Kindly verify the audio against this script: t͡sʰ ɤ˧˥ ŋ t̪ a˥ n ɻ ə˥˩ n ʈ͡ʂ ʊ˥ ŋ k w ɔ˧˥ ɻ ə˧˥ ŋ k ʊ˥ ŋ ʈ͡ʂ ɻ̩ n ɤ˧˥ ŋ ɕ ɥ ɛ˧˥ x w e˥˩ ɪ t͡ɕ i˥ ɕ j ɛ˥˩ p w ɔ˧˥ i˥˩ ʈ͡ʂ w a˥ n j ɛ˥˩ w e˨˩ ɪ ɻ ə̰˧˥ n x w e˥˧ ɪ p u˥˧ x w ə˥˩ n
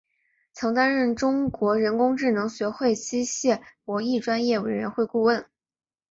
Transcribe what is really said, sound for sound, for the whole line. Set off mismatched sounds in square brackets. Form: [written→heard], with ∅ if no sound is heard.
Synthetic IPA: t͡sʰ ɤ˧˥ ŋ t̪ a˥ n ɻ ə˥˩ n ʈ͡ʂ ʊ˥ ŋ k w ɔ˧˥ ɻ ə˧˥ [ŋ→n] k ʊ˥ ŋ ʈ͡ʂ ɻ̩ n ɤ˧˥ ŋ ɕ ɥ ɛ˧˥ x w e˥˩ ɪ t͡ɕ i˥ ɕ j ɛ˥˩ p w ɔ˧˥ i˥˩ ʈ͡ʂ w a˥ n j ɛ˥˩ w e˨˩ ɪ ɻ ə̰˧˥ n x w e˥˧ ɪ [p→k] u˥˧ [x→∅] w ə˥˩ n